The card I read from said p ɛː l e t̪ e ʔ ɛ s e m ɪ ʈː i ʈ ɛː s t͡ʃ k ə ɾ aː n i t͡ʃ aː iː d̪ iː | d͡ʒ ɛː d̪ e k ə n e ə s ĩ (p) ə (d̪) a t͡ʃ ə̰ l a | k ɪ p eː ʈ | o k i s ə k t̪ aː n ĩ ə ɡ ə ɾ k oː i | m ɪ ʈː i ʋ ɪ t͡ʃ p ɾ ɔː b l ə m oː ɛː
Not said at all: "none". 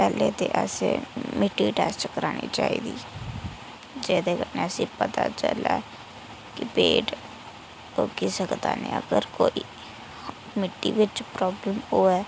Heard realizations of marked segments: p, t̪

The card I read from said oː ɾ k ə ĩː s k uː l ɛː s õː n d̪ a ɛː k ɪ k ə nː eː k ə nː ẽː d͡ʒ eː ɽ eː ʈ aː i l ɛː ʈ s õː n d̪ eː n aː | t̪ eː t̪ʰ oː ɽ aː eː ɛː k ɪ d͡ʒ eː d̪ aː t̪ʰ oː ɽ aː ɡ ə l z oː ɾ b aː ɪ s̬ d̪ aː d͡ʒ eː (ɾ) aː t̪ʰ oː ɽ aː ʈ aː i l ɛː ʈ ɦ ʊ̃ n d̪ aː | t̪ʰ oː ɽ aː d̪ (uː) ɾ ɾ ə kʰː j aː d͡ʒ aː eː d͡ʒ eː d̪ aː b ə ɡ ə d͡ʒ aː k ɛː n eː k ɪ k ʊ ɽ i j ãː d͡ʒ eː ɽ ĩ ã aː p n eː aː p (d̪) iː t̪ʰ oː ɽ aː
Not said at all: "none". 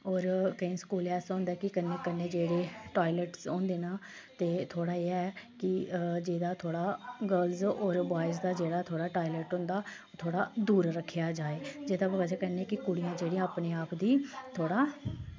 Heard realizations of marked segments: ɽ, uː, d̪

